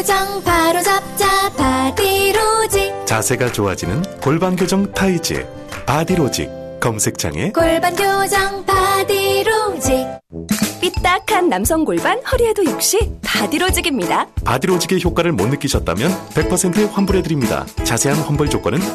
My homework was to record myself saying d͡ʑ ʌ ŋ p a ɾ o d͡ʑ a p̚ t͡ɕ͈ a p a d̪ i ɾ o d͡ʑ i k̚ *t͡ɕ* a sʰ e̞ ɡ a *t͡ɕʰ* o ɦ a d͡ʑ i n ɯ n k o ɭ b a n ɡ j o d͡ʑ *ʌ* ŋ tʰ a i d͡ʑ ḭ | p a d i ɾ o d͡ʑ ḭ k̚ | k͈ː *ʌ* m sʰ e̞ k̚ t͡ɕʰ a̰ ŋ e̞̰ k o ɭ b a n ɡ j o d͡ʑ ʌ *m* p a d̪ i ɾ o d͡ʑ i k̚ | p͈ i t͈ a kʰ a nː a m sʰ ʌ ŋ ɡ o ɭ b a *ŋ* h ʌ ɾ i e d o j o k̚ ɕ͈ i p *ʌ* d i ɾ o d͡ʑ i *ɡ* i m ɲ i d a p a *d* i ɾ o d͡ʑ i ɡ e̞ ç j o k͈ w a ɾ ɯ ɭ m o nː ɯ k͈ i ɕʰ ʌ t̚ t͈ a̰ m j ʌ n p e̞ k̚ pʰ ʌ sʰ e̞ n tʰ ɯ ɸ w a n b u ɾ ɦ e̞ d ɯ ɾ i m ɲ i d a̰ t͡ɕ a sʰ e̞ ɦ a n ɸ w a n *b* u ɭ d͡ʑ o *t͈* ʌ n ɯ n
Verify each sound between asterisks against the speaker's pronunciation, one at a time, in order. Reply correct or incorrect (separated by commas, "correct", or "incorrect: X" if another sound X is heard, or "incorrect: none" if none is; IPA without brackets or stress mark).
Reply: correct, incorrect: t͡ɕ, correct, correct, incorrect: ŋ, incorrect: n, incorrect: a, correct, correct, correct, incorrect: k͈